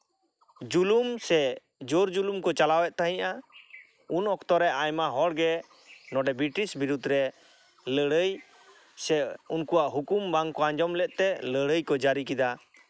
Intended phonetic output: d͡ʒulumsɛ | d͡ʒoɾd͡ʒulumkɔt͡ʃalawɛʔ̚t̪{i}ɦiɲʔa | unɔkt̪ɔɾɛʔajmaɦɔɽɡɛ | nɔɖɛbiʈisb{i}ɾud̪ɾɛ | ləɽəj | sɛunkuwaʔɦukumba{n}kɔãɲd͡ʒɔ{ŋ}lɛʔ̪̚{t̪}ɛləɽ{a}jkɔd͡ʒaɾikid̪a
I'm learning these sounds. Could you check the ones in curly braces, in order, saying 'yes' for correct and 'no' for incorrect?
no, yes, no, no, yes, no

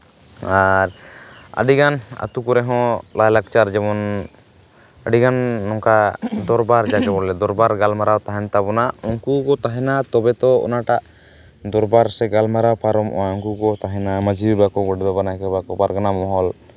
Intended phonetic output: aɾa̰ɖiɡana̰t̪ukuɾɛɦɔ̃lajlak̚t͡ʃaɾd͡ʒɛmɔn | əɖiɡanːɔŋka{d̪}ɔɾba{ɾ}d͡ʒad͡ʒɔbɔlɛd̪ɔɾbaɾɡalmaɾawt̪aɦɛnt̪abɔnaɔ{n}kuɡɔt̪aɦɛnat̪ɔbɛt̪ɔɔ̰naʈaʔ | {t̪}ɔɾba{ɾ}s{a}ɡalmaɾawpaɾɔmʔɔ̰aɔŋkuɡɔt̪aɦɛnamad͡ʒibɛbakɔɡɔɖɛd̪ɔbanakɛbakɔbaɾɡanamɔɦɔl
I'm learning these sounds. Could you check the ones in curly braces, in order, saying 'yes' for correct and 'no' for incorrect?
yes, yes, no, no, yes, no

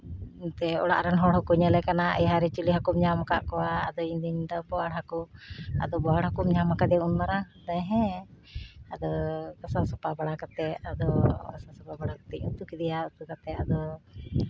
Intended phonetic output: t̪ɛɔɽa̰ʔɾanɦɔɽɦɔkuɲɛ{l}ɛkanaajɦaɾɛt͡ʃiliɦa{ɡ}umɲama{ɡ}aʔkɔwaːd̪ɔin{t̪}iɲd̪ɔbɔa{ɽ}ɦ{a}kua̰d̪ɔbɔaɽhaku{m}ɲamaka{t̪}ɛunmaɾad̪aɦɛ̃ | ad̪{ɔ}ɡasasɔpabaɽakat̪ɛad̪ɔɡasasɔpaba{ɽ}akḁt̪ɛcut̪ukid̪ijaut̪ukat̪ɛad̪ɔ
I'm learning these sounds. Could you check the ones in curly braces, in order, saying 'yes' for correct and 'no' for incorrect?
yes, no, no, no, yes, yes, yes, no, yes, yes

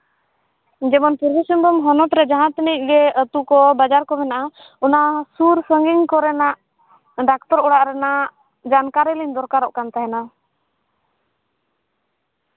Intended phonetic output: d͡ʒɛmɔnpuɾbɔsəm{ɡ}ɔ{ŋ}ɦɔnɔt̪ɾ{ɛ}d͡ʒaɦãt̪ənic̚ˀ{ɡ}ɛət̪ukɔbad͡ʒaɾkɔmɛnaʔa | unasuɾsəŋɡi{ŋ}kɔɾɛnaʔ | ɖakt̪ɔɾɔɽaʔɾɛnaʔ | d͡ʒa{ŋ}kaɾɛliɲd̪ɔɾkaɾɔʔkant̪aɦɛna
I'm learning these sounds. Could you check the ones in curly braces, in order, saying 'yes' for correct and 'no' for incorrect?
no, no, yes, yes, yes, no

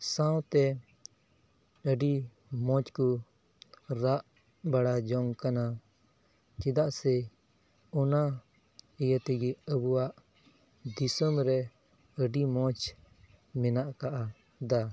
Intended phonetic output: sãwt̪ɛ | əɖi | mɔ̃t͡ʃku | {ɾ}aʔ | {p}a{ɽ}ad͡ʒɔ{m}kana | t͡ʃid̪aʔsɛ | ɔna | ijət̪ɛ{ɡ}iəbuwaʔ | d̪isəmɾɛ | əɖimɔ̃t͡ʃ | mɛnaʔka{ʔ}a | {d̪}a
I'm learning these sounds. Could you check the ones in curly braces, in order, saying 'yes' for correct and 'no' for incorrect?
yes, no, yes, no, yes, yes, yes

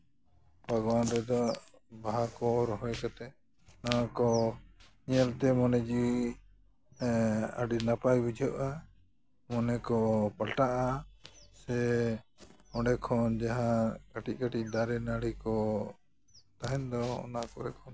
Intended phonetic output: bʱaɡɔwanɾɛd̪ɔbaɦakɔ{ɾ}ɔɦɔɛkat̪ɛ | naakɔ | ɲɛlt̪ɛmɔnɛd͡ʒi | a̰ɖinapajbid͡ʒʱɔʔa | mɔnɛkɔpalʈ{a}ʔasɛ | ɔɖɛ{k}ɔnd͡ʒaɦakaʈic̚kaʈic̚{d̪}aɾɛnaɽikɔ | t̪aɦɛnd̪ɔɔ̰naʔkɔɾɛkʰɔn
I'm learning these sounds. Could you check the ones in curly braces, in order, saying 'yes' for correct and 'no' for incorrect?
yes, yes, no, yes

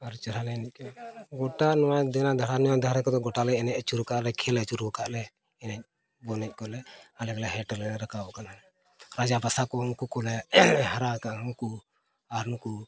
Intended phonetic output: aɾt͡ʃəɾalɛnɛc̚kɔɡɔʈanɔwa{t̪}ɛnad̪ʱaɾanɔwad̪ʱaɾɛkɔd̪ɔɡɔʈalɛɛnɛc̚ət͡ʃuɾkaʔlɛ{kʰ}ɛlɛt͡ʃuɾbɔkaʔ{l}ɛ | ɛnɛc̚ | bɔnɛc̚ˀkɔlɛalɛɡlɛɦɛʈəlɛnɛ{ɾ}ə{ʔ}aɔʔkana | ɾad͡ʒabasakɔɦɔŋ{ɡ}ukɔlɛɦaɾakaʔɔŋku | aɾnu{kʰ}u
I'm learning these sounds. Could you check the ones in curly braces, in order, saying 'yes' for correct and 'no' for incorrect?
no, yes, yes, yes, no, no, no

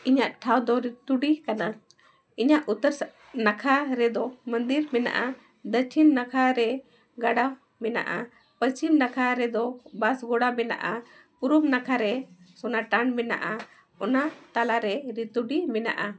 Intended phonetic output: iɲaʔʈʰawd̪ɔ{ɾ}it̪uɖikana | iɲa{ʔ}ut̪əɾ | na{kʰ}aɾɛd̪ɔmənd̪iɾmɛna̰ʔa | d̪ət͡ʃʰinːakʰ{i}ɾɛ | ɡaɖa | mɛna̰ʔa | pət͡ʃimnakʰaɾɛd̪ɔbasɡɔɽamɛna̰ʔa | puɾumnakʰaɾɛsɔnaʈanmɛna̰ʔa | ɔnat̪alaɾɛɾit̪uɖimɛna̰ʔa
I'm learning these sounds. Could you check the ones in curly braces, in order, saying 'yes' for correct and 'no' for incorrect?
yes, yes, yes, no

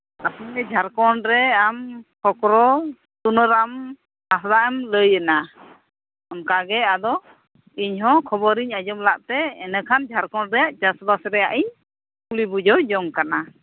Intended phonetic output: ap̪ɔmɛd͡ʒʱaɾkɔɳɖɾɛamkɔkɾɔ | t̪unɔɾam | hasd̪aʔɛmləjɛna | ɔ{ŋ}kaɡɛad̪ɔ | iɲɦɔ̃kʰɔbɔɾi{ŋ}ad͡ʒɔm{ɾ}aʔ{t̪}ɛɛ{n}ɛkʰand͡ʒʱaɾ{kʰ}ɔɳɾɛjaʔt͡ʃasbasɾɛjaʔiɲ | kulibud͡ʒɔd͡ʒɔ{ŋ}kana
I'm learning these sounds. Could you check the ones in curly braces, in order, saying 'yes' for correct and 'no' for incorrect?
no, no, no, yes, yes, no, yes

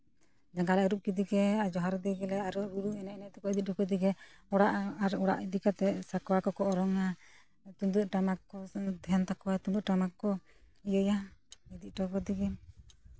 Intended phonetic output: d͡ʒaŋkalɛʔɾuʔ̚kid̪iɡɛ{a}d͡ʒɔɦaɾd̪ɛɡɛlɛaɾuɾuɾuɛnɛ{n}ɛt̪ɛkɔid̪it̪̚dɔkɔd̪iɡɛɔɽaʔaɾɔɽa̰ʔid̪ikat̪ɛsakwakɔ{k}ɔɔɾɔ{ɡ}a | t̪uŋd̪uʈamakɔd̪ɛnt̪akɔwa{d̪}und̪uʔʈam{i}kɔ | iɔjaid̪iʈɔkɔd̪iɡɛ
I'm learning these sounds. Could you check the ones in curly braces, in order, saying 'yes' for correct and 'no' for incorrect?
yes, yes, yes, no, no, no

